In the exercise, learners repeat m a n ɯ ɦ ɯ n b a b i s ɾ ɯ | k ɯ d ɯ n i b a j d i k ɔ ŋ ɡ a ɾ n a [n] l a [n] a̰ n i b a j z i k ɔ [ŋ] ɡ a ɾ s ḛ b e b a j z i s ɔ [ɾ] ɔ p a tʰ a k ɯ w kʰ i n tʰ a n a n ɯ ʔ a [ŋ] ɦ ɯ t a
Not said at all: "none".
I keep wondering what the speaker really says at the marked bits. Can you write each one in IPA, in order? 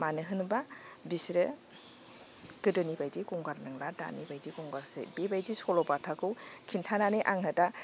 ŋ, d, ŋ, l, ŋ

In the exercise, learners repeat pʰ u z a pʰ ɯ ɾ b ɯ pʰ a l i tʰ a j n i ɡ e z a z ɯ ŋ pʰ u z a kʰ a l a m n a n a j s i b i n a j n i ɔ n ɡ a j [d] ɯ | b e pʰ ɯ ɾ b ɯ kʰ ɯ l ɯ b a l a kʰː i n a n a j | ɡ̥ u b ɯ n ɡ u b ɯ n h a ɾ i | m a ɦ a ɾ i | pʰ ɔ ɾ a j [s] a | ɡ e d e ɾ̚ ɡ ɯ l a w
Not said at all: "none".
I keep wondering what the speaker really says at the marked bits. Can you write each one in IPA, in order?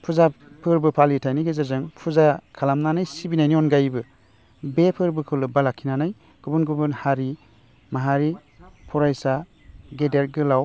b, s

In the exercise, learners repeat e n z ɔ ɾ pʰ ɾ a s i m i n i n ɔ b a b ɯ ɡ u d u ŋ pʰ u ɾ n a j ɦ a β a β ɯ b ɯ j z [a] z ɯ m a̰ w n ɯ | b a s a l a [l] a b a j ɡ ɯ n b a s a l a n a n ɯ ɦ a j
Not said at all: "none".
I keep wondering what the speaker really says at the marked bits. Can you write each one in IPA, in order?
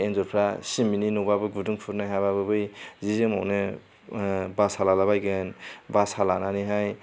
i, l

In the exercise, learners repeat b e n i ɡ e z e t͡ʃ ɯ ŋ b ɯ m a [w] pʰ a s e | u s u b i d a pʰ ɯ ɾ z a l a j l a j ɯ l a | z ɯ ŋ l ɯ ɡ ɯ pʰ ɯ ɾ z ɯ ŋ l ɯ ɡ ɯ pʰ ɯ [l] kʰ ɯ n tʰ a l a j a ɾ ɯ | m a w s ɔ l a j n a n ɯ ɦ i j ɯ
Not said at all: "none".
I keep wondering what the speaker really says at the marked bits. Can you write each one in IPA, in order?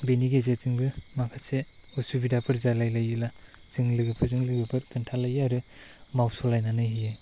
none, ɾ

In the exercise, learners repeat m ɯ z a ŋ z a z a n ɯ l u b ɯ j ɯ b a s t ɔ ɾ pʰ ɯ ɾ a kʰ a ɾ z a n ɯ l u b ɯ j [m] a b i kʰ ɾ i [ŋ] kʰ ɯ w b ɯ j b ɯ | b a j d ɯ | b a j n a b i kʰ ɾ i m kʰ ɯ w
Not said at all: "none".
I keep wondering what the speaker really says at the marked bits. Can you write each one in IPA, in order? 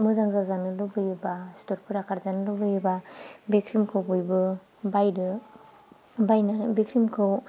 b, m

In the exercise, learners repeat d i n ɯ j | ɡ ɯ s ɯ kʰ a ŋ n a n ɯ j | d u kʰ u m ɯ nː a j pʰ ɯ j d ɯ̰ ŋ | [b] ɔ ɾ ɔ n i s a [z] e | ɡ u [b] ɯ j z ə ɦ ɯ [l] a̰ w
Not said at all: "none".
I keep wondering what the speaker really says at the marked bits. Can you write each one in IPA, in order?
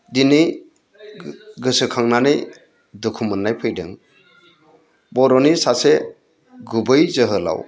b, s, b, l

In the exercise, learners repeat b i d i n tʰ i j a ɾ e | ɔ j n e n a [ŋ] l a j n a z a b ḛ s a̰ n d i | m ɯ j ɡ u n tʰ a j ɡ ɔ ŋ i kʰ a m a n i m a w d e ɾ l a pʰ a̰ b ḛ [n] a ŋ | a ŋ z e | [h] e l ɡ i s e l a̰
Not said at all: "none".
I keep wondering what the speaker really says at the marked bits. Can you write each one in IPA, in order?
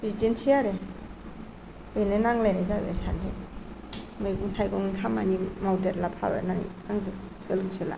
ŋ, n, s

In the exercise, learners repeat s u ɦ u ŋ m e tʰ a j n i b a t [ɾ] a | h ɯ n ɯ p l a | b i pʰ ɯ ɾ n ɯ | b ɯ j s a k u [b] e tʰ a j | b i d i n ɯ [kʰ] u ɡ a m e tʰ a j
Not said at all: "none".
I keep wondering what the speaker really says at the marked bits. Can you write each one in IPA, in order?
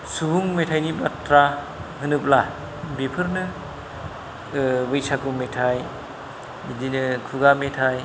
ɾ, m, kʰ

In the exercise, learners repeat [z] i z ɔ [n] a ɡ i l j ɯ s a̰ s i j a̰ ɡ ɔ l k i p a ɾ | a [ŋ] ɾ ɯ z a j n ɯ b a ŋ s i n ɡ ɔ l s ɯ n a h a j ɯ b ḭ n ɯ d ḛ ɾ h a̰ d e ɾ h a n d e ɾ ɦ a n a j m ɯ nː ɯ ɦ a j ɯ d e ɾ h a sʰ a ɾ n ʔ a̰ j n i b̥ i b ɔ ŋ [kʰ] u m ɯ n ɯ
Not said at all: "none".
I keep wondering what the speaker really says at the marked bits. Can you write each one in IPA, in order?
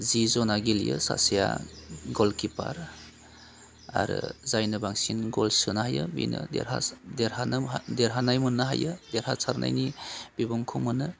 z, n, none, kʰ

